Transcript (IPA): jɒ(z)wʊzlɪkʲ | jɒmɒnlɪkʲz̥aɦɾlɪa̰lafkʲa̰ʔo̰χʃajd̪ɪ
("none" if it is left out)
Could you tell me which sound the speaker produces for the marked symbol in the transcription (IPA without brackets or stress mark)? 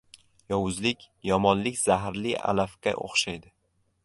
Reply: none